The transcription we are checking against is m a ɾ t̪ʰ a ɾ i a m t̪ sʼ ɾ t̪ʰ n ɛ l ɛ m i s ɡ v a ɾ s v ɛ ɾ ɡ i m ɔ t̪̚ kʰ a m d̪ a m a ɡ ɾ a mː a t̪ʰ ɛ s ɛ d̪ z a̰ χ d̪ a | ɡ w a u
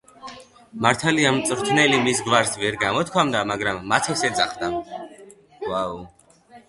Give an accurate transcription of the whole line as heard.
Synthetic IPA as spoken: m a ɾ t̪ʰ a l i a m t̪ sʼ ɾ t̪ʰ n ɛ l i m i s ɡ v a ɾ s v ɛ ɾ ɡ a m ɔ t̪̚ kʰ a m d̪ a m a ɡ ɾ a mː a t̪ʰ ɛ s ɛ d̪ z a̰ χ d̪ a | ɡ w a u